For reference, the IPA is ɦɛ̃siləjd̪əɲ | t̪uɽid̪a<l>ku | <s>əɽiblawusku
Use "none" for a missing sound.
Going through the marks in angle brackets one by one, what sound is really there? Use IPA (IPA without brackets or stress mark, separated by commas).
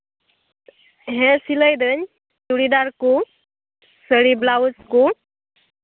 ɾ, s